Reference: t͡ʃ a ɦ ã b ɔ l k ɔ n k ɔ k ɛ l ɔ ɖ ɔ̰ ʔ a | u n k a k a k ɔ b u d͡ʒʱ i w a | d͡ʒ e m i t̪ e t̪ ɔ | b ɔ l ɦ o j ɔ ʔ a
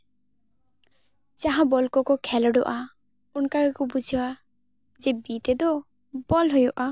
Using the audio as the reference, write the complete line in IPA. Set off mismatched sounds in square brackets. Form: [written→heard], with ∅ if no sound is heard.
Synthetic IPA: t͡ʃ a ɦ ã b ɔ l k ɔ [n→∅] k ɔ [k→kʰ] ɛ l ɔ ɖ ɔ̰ ʔ a | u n k a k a k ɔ b u d͡ʒʱ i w a | d͡ʒ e [m→b] i t̪ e [t̪→d̪] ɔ | b ɔ l ɦ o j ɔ ʔ a